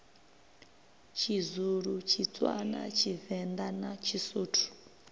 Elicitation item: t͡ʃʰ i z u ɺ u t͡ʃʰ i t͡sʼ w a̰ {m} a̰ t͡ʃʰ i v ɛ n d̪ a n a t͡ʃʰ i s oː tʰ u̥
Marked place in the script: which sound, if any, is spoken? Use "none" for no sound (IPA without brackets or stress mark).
n